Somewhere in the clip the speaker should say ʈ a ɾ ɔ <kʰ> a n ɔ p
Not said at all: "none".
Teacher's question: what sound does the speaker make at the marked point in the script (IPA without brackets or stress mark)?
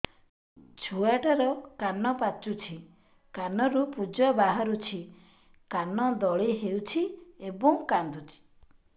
k